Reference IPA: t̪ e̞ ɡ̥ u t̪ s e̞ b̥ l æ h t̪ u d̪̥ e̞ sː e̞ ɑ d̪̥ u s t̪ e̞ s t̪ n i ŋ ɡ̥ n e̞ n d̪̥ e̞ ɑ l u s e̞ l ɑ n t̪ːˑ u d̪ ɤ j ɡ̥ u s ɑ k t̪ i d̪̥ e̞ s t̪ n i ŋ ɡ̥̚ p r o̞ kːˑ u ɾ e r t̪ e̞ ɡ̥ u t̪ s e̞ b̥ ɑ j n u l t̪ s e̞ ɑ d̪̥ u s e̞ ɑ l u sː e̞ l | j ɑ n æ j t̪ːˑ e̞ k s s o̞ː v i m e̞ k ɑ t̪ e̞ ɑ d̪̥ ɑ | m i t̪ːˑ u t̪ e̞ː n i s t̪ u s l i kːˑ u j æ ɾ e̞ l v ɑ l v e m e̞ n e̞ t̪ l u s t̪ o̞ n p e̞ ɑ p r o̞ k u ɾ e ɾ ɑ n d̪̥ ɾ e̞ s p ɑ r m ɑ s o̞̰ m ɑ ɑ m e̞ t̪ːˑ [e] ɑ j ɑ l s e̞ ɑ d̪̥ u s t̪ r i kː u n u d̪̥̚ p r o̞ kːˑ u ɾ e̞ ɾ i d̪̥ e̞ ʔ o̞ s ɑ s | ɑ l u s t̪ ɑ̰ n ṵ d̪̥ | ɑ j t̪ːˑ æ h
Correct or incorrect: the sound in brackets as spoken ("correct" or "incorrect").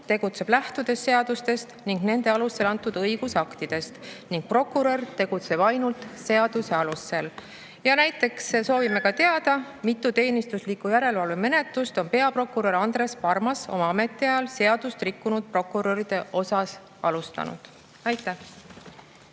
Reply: incorrect